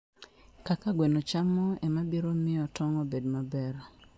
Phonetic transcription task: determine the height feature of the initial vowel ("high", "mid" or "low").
low